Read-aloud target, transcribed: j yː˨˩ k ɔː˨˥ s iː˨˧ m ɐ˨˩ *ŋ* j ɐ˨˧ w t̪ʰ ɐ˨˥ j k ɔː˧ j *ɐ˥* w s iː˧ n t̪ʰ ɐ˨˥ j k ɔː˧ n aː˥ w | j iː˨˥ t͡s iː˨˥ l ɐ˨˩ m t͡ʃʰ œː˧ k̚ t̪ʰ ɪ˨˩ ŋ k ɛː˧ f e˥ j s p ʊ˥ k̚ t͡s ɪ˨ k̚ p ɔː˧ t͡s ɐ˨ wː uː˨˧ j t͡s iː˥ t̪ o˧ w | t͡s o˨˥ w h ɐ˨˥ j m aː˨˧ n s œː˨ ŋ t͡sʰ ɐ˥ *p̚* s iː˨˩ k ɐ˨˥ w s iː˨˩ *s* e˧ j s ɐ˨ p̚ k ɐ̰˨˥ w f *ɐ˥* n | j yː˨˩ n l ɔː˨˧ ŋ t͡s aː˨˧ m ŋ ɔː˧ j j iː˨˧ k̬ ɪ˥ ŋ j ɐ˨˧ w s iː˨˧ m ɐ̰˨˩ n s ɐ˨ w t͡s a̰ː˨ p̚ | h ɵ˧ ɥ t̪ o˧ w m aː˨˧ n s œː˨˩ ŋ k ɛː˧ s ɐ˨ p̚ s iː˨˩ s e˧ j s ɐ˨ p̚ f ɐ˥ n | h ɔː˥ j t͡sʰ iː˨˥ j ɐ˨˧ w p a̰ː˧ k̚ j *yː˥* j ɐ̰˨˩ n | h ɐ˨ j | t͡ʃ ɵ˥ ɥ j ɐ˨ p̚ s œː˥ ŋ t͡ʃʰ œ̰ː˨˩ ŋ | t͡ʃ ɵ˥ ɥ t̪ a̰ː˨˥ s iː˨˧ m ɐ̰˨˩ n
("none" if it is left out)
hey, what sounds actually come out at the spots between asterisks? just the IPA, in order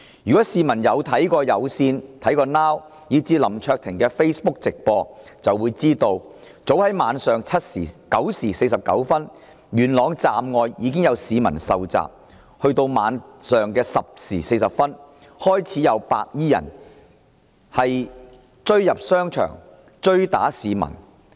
n, ɐ˨˧, t̚, s, ɐ˥, iː˥

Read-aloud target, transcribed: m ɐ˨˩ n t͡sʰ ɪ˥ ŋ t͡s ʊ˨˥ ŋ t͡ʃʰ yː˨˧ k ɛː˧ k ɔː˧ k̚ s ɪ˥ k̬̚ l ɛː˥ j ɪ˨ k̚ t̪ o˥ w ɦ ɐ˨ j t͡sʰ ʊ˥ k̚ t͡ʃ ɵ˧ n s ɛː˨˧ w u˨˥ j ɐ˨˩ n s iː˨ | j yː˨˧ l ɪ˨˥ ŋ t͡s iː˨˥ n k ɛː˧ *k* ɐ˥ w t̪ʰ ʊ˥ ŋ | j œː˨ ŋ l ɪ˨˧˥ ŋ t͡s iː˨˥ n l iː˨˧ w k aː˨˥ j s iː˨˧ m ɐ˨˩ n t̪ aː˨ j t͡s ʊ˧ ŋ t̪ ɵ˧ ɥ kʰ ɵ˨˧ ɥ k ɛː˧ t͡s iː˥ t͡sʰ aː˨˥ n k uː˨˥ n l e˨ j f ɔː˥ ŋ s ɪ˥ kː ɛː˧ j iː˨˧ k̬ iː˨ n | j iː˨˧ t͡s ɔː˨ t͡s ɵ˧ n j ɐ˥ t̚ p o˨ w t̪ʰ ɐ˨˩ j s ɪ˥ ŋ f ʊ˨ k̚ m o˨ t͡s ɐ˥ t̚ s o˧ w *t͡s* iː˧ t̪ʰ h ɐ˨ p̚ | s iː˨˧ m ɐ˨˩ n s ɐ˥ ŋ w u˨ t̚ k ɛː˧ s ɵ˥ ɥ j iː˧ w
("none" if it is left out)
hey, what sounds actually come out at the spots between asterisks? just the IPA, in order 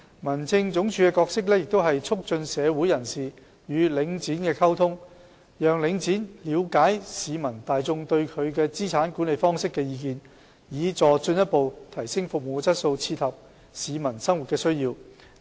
kʰ, t͡sʰ

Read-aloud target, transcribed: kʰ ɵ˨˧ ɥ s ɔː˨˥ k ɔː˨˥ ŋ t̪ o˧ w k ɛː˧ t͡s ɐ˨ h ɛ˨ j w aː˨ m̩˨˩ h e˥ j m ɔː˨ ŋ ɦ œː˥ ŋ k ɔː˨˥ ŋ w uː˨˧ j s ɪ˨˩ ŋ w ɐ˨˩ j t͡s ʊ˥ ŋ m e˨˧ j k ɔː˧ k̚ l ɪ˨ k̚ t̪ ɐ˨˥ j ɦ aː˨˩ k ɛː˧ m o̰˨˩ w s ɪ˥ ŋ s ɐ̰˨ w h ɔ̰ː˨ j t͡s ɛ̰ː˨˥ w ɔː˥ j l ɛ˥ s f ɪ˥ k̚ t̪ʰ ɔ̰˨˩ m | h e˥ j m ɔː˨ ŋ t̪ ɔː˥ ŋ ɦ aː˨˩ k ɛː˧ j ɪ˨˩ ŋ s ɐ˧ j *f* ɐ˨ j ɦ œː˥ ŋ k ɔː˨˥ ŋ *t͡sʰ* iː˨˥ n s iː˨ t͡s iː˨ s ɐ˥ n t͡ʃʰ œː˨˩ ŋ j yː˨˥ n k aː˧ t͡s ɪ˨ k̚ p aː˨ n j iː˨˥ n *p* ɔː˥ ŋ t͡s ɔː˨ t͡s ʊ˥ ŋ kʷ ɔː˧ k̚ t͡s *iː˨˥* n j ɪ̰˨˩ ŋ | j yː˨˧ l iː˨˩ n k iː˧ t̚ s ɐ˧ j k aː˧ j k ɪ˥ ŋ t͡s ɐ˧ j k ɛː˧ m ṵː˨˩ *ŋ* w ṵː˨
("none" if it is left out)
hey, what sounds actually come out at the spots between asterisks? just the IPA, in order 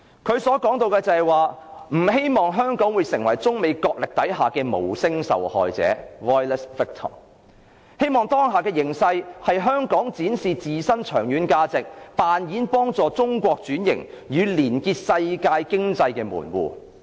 h, t͡s, p, yː˨˥, n

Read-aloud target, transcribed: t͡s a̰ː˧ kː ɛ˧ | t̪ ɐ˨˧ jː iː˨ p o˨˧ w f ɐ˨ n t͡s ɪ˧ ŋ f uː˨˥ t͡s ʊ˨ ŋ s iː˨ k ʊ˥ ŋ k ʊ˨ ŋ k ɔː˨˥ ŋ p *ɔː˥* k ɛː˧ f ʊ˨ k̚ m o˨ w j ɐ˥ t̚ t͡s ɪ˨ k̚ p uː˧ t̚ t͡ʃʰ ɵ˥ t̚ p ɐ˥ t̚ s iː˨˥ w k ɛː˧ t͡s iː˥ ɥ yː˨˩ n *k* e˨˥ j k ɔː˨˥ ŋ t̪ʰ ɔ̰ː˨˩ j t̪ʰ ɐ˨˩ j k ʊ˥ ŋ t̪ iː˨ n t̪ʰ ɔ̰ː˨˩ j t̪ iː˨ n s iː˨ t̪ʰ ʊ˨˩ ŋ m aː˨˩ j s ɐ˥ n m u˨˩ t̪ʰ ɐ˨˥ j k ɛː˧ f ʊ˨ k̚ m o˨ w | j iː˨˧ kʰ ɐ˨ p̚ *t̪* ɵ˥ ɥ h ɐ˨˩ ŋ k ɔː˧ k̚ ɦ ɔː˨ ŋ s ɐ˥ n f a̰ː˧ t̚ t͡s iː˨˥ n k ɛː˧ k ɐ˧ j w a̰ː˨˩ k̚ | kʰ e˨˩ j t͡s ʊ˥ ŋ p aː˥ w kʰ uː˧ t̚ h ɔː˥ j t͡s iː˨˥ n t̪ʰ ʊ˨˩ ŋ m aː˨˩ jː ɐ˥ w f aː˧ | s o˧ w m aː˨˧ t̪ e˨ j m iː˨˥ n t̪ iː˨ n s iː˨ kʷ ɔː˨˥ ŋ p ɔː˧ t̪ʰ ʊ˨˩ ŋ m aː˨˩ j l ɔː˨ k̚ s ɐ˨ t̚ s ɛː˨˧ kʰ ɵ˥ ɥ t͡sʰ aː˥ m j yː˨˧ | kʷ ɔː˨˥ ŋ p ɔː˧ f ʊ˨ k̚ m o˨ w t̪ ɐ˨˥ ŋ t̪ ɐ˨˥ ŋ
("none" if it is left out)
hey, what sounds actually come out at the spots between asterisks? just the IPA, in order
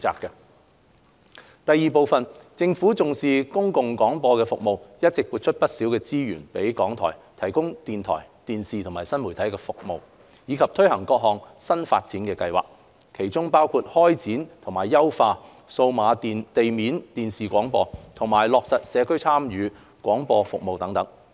ɔː˧, p, t̪ʰ

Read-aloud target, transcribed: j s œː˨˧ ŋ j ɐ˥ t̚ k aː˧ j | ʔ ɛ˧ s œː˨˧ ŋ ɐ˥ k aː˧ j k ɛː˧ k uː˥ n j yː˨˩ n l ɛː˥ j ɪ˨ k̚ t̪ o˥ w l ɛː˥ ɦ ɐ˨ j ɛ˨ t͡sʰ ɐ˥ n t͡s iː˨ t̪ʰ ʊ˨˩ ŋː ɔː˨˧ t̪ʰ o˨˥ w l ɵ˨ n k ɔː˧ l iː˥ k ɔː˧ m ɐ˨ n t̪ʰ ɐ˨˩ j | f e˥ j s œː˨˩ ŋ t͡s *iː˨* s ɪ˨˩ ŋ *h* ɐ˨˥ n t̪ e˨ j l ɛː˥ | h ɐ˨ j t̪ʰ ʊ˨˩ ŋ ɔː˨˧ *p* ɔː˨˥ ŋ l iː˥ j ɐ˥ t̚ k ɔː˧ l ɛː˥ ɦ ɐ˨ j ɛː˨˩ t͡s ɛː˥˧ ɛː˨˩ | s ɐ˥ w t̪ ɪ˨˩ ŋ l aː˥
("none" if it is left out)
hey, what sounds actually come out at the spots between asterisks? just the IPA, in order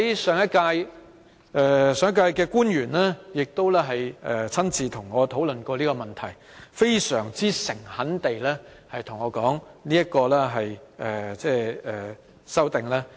iː˥, h, k

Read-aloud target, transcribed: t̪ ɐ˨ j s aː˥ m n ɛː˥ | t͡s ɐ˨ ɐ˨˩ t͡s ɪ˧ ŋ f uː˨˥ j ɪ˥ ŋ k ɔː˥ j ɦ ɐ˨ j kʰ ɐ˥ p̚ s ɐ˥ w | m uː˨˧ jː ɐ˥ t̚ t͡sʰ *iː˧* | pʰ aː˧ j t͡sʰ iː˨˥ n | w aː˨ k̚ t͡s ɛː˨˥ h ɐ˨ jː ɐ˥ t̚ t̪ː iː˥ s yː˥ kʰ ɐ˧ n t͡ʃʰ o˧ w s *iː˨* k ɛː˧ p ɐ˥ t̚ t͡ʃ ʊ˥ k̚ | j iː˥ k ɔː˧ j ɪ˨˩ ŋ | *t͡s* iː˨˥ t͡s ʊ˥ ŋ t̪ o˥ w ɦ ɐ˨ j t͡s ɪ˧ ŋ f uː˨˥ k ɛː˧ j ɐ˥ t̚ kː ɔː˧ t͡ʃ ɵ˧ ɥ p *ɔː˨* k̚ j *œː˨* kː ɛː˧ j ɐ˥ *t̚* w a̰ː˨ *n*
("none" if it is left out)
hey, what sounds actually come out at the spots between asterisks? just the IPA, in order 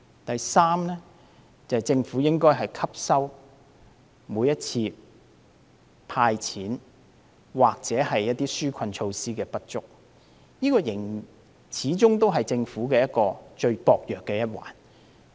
iː˧, iː˥, t͡sʰ, ɔː˨, œː˨, t̚, n

